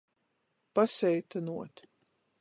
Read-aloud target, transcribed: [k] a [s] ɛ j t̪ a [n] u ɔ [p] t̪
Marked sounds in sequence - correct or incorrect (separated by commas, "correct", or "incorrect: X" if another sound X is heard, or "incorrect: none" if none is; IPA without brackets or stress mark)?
incorrect: p, correct, correct, incorrect: none